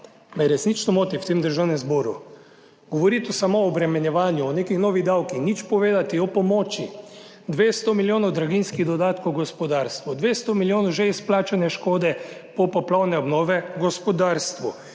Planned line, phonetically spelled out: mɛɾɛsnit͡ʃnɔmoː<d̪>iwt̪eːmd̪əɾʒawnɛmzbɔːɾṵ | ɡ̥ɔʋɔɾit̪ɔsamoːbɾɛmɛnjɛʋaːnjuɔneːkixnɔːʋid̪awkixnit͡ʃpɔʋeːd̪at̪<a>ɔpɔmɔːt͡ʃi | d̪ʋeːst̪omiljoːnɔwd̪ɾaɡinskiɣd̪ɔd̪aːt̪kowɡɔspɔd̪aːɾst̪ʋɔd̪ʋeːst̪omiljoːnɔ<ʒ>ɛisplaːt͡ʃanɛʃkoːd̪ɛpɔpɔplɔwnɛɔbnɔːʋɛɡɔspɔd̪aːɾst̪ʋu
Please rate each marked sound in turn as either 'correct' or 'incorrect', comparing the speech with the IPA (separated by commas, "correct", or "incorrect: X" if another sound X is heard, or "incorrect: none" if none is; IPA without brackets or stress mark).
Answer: incorrect: t̪, incorrect: i, correct